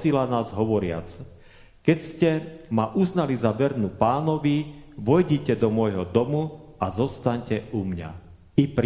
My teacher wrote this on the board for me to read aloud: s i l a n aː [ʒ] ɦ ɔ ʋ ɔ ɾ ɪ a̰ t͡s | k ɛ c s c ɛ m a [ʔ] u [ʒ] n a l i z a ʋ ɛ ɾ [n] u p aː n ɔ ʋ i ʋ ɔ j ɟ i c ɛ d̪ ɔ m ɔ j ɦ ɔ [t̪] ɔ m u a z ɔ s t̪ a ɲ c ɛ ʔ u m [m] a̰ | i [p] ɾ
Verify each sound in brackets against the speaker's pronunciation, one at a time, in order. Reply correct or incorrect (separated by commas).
incorrect, correct, incorrect, correct, incorrect, incorrect, correct